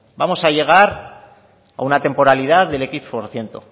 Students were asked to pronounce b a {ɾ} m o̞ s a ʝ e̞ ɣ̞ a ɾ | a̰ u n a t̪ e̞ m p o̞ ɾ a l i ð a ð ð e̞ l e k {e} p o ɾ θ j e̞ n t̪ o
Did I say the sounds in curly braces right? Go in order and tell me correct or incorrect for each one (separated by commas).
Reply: incorrect, incorrect